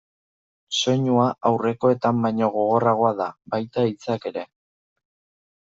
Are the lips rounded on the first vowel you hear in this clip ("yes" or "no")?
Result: yes